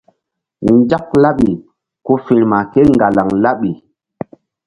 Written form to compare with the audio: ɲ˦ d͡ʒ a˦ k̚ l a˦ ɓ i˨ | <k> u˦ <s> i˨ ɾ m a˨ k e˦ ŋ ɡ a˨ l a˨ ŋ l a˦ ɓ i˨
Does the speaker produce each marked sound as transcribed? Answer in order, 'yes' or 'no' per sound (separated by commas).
yes, no